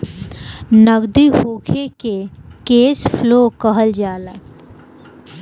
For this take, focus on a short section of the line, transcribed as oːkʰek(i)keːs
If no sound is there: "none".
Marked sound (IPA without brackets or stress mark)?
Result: e